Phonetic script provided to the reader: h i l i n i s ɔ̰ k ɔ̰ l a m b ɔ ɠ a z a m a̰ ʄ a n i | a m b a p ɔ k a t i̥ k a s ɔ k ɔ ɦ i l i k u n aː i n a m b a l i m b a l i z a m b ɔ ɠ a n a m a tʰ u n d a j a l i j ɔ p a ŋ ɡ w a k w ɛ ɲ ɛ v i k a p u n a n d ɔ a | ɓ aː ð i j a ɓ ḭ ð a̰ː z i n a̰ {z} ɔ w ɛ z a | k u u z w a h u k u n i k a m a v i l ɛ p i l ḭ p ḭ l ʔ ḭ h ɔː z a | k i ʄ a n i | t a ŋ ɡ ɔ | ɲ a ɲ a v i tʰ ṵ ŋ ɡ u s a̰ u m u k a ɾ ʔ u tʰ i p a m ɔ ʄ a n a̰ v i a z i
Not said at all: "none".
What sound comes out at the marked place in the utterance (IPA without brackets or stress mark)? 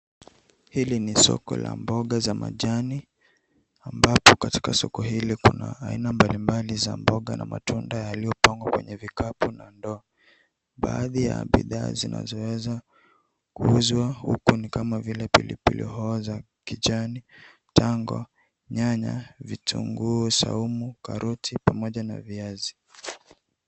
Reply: z